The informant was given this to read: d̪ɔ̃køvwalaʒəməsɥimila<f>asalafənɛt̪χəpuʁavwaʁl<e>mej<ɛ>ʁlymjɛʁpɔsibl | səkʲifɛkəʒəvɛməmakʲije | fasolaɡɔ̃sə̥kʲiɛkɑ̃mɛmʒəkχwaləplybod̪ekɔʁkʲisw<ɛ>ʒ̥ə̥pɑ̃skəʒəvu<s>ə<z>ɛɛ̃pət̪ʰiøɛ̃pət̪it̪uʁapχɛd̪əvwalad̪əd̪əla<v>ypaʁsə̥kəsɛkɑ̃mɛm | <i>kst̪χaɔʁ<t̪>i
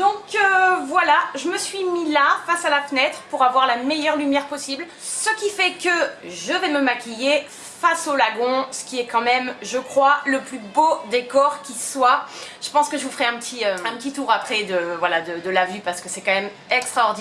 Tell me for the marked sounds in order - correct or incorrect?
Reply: correct, incorrect, incorrect, incorrect, incorrect, incorrect, correct, incorrect, incorrect

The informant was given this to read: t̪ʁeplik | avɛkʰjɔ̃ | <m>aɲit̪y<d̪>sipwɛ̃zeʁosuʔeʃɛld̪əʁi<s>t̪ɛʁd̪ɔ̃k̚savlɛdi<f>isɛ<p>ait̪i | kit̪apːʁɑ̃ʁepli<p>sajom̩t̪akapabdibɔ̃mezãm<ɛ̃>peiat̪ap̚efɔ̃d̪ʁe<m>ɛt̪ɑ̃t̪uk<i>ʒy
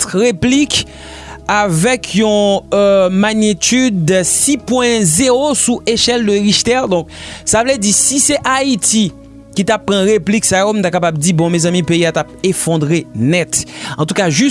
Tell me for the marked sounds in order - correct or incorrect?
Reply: correct, correct, incorrect, incorrect, incorrect, incorrect, incorrect, incorrect, incorrect

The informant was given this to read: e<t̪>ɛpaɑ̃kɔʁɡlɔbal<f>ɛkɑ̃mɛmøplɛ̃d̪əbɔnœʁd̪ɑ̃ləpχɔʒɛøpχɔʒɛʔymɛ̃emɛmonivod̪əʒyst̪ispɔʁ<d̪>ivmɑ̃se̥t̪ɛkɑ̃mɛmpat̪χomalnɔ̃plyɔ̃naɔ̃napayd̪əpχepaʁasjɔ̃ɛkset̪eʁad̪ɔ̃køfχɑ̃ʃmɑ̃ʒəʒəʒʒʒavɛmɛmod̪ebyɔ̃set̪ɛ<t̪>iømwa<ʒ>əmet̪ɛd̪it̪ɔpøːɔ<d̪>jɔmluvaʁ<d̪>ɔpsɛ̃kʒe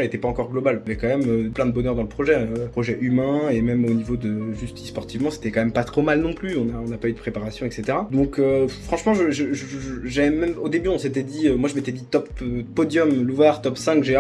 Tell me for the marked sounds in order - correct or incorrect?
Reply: correct, incorrect, incorrect, incorrect, correct, correct, incorrect

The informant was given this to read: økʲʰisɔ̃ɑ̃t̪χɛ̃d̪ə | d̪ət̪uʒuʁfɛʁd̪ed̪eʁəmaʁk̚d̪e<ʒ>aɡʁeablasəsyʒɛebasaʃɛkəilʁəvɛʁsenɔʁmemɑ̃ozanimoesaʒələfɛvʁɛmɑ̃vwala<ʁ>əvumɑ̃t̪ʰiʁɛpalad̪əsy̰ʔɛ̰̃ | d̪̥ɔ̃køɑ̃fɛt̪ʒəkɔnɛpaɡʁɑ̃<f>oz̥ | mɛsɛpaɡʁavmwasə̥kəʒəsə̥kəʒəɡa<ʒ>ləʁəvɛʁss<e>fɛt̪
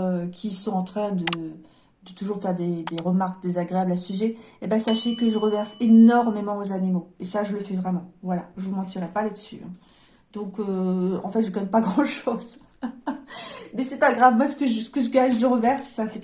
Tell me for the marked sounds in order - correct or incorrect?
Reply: incorrect, incorrect, incorrect, correct, incorrect

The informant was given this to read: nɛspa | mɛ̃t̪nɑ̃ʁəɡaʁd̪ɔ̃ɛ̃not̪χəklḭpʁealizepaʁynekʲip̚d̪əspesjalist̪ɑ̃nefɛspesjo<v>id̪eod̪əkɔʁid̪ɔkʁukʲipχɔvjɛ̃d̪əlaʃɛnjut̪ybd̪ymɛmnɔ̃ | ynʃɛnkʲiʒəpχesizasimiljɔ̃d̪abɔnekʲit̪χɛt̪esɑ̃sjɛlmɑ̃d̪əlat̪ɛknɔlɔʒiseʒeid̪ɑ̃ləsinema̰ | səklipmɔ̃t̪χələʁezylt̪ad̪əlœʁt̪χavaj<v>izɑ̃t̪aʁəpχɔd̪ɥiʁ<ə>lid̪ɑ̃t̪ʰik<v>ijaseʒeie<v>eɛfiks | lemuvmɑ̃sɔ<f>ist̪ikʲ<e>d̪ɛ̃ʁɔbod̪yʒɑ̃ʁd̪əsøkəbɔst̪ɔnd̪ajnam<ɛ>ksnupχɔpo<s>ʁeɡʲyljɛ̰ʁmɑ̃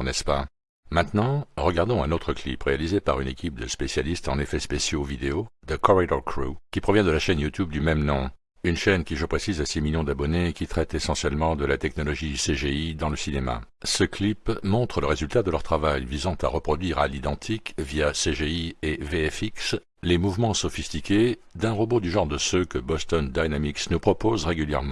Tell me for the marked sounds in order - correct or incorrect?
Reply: correct, correct, incorrect, correct, correct, correct, correct, incorrect, incorrect

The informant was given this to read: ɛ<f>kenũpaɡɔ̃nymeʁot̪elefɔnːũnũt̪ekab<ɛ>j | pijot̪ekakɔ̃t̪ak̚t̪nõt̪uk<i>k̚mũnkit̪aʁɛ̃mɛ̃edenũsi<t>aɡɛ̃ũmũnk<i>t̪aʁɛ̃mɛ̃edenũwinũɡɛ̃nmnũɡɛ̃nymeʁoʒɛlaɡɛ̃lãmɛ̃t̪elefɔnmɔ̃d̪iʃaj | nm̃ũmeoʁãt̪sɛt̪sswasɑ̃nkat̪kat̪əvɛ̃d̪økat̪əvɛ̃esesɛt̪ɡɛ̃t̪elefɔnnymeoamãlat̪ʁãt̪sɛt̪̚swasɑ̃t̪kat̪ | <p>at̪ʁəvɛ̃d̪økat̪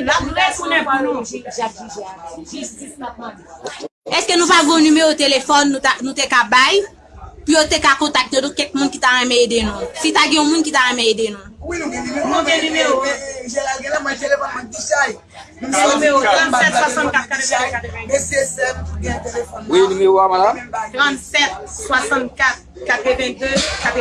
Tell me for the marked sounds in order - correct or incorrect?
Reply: incorrect, incorrect, incorrect, correct, correct, incorrect

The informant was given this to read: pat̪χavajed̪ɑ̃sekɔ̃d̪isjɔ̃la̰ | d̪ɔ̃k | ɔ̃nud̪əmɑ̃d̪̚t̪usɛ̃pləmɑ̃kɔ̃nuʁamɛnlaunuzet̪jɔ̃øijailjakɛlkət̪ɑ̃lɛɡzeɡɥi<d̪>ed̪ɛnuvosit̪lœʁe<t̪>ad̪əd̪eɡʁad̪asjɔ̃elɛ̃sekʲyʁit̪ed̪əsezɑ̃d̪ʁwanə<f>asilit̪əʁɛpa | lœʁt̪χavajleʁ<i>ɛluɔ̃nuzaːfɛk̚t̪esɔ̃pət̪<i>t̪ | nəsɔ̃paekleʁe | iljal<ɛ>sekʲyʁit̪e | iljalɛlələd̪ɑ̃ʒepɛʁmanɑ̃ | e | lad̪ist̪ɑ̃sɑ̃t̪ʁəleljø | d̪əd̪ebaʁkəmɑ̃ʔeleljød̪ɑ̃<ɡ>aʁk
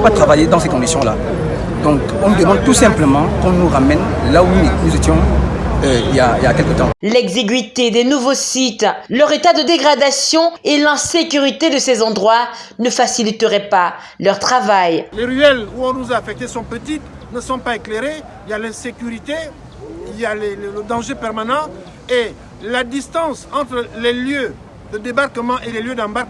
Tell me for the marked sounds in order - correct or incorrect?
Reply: incorrect, correct, correct, incorrect, correct, incorrect, incorrect

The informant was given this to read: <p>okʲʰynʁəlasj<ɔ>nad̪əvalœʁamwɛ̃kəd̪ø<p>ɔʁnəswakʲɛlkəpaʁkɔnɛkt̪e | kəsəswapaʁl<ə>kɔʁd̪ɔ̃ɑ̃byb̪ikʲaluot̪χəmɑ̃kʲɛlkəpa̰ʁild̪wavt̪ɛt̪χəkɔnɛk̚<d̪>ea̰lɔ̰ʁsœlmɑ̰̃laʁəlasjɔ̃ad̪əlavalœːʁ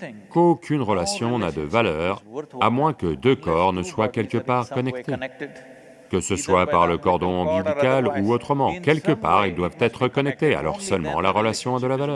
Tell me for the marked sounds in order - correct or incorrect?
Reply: incorrect, incorrect, incorrect, correct, incorrect

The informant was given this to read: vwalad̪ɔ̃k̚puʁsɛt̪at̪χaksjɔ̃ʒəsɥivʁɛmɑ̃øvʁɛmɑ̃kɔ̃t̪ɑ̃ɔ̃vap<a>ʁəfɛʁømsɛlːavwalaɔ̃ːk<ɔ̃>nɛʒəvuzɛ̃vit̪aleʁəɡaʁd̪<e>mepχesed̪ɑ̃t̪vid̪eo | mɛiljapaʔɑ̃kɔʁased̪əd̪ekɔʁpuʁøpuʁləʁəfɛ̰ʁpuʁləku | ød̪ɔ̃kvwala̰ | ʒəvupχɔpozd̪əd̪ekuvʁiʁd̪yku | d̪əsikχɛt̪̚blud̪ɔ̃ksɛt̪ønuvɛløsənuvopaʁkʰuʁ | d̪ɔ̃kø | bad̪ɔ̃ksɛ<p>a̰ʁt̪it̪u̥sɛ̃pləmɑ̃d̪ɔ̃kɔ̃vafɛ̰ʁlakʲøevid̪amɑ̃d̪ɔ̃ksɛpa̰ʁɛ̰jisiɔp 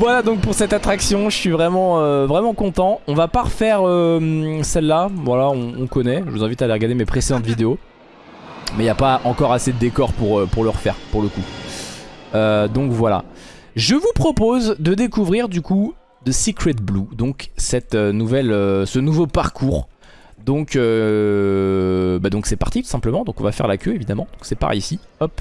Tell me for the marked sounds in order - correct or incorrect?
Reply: correct, incorrect, correct, correct

